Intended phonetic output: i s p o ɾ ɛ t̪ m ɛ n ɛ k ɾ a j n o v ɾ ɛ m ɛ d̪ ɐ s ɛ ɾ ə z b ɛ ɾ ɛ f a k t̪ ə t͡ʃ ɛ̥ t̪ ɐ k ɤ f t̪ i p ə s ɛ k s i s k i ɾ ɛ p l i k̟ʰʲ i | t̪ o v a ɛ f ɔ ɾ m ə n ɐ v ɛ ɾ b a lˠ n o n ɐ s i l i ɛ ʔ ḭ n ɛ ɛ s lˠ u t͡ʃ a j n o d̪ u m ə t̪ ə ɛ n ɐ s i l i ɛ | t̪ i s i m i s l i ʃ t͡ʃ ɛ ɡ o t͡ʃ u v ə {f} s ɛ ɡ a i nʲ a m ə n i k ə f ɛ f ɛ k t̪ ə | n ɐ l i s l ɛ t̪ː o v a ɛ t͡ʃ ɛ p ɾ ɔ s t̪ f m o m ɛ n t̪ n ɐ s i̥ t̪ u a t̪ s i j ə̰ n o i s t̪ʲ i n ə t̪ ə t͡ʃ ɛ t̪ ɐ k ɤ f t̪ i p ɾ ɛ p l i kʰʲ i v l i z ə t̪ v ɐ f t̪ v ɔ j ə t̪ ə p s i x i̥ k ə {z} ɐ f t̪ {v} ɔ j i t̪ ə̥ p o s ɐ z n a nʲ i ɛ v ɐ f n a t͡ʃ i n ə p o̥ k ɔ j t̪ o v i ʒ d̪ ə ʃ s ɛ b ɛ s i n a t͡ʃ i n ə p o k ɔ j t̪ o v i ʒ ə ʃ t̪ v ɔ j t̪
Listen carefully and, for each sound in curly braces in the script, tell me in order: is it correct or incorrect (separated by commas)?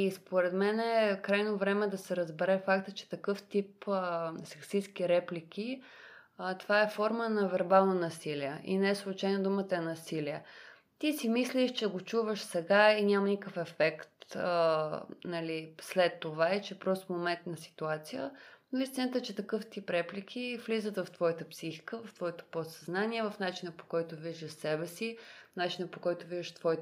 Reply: incorrect, incorrect, correct